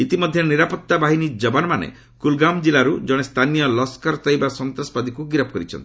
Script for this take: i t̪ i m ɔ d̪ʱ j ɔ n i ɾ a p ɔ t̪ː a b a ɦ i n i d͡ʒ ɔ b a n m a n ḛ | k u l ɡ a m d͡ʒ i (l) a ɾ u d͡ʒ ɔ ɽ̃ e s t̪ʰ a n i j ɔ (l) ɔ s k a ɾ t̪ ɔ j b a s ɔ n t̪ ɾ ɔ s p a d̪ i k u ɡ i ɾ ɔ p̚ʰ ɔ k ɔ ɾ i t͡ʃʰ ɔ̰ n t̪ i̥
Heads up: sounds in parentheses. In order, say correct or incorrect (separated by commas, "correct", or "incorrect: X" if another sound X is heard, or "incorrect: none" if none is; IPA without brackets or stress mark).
correct, correct